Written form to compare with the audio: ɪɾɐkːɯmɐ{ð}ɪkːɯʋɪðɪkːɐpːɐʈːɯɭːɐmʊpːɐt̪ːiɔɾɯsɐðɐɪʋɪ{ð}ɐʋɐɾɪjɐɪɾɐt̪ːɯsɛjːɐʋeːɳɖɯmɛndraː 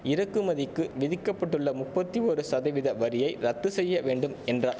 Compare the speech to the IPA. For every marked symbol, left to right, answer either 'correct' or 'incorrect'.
correct, correct

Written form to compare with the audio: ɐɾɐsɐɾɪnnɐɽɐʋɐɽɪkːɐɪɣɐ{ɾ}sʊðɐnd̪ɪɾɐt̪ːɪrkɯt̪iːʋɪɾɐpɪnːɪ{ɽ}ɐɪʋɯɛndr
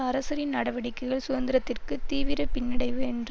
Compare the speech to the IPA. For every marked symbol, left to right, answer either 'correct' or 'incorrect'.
incorrect: ɭ, correct

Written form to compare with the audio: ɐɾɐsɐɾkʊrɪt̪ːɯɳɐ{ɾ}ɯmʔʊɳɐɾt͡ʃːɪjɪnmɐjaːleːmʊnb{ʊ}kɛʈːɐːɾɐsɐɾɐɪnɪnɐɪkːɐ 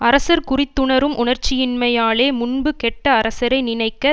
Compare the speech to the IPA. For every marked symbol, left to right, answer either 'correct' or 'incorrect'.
correct, incorrect: ɯ

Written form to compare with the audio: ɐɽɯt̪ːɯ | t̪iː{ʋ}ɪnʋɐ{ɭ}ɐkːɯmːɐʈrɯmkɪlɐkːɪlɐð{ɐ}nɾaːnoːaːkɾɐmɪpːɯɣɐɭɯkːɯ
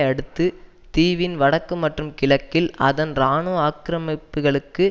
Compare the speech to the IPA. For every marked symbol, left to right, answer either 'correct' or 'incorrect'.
correct, incorrect: ɽ, correct

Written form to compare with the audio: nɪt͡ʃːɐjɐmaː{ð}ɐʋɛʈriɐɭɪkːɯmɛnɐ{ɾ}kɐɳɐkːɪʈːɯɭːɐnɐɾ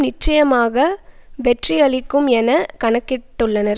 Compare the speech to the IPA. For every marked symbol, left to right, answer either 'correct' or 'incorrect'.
incorrect: ɣ, incorrect: none

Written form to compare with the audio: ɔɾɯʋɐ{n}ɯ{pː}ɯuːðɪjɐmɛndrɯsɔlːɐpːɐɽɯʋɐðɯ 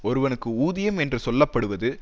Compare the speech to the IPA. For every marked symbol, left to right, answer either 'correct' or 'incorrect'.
correct, incorrect: kː

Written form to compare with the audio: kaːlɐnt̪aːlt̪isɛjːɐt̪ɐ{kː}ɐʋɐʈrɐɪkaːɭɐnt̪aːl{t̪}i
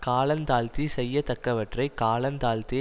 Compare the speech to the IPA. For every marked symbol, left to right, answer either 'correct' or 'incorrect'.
correct, correct

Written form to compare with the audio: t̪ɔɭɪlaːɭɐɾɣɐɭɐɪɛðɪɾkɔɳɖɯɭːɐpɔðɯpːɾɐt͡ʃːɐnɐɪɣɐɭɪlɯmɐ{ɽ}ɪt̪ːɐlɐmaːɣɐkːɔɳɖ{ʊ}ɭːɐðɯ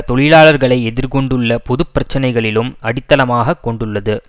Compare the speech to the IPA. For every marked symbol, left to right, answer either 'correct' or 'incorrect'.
correct, incorrect: ɯ

